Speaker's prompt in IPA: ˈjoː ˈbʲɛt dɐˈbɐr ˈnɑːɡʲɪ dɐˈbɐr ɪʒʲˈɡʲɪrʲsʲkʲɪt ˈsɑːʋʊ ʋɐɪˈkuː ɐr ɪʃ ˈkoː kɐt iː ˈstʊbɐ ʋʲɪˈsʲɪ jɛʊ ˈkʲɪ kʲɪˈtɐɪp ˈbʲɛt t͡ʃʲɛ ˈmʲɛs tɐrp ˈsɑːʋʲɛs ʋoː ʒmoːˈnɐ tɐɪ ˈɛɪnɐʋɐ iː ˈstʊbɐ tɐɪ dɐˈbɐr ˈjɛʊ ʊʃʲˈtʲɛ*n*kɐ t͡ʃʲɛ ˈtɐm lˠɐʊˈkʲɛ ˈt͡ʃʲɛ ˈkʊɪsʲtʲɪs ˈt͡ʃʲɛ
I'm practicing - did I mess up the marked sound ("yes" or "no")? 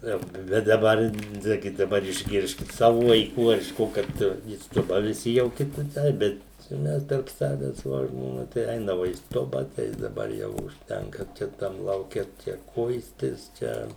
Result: yes